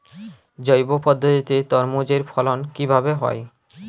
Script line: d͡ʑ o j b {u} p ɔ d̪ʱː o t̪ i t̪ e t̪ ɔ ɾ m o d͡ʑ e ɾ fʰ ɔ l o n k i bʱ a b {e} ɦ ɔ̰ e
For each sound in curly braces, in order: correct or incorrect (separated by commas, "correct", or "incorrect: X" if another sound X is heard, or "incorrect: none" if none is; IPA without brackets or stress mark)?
incorrect: o, correct